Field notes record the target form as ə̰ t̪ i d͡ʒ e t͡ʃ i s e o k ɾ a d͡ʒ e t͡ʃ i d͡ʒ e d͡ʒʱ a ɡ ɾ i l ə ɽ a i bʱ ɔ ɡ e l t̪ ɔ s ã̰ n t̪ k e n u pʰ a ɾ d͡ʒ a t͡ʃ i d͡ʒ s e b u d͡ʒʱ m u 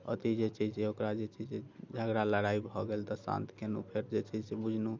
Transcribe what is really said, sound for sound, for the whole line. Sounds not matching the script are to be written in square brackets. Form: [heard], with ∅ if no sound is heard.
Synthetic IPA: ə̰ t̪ i d͡ʒ e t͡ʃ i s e o k ɾ a d͡ʒ e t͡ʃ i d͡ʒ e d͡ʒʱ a ɡ ɾ [a] l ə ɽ a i bʱ ɔ ɡ e l t̪ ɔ s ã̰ n t̪ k e n u pʰ [e] ɾ d͡ʒ [e] t͡ʃ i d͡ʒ s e b u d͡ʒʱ [n] u